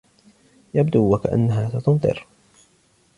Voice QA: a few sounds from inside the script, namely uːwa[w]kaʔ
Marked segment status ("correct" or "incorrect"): incorrect